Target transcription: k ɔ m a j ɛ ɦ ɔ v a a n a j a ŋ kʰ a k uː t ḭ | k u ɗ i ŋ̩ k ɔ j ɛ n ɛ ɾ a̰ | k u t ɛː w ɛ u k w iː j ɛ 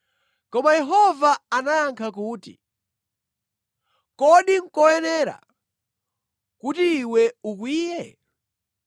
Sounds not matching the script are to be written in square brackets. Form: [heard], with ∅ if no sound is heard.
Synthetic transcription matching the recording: k ɔ m a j ɛ ɦ ɔ v a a n a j a ŋ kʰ a k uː t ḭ | k [ɔ] ɗ i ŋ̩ k ɔ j ɛ n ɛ ɾ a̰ | k u t [iː] w ɛ u k w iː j ɛ